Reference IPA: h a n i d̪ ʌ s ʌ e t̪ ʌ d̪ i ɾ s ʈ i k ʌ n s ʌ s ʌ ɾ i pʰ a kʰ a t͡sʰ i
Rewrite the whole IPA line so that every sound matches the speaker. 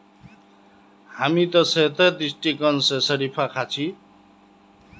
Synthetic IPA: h a m i t̪ ʌ s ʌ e t̪ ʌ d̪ i s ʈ i k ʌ n s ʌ s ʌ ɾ i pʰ a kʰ a t͡sʰ i